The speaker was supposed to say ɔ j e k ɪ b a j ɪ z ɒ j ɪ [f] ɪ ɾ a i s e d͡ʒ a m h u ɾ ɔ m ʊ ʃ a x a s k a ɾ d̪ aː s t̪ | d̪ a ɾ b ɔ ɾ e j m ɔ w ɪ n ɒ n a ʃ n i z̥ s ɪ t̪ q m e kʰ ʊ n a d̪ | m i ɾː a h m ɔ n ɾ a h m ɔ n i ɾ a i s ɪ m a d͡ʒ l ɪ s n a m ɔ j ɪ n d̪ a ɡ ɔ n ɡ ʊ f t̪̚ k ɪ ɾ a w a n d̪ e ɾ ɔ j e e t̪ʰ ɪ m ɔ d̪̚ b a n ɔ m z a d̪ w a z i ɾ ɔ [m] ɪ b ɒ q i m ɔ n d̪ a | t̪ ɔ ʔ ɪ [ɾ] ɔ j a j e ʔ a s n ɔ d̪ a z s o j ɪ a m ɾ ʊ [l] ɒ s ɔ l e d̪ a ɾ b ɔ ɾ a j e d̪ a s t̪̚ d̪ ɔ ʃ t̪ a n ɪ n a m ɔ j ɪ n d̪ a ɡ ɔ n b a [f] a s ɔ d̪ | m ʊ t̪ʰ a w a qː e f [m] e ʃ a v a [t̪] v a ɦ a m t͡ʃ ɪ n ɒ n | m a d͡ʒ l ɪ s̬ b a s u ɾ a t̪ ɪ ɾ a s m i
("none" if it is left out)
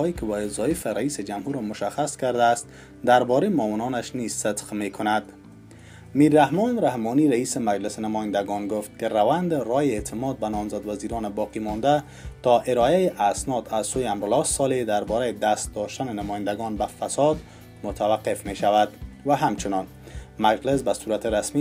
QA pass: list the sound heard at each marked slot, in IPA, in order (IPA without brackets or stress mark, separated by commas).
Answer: f, n, ɾ, l, f, m, d̪